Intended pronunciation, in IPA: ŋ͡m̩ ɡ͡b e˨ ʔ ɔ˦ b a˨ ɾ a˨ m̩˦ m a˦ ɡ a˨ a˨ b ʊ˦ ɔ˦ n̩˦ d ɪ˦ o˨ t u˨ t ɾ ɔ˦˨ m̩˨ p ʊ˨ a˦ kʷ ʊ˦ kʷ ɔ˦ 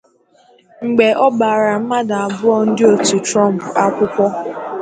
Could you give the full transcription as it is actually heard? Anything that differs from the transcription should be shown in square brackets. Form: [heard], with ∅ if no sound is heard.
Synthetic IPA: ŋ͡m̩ ɡ͡b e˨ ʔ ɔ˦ b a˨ ɾ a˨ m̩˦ m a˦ [d] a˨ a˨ b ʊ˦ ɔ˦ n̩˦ d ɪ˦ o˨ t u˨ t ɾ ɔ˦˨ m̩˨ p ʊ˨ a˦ kʷ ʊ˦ kʷ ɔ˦